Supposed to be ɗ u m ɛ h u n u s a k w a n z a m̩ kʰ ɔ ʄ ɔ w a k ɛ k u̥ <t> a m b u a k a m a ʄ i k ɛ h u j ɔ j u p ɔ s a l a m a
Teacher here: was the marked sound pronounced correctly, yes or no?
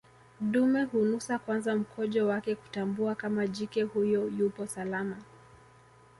yes